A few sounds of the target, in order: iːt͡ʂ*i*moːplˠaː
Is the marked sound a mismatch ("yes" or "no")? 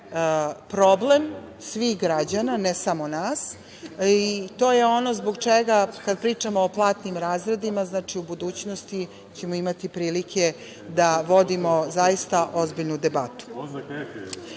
yes